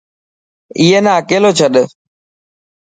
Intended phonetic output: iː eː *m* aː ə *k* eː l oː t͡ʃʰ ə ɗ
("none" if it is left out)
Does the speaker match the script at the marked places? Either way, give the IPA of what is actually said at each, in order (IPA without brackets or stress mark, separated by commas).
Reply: n, k